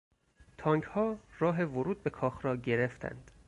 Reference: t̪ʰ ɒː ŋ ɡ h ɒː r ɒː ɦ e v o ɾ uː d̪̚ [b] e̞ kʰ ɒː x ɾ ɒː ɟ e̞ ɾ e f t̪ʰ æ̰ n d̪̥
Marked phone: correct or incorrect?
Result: correct